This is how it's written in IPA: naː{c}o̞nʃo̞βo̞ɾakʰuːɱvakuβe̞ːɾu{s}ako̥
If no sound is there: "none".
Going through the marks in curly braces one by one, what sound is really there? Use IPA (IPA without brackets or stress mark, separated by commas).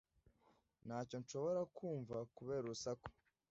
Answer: c, s